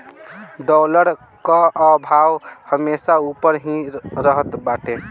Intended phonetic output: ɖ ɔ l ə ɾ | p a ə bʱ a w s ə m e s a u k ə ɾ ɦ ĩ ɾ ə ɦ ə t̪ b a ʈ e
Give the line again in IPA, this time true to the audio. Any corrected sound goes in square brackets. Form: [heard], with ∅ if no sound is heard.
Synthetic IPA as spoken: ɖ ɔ l ə ɾ | [k] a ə bʱ a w [h] ə m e s a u [p] ə ɾ ɦ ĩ ɾ ə ɦ ə t̪ b a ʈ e